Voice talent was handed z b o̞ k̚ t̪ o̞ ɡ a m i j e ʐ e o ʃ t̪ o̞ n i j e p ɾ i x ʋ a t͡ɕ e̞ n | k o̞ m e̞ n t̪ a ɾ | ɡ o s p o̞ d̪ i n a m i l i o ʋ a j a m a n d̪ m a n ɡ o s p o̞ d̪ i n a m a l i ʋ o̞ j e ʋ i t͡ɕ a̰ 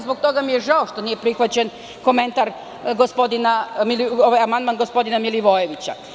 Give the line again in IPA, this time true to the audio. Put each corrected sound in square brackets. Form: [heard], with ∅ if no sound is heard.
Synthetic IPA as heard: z b o̞ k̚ t̪ o̞ ɡ a m i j e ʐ [a] o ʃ t̪ o̞ n i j e p ɾ i x ʋ a t͡ɕ e̞ n | k o̞ m e̞ n t̪ a ɾ | ɡ o s p o̞ d̪ i n a m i l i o ʋ a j a m a n d̪ m a n ɡ o s p o̞ d̪ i n a m [i] l i ʋ o̞ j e ʋ i t͡ɕ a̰